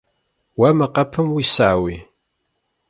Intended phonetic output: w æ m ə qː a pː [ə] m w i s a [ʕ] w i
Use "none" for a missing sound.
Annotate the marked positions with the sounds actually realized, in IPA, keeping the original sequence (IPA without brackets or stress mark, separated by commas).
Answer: ə, ʕ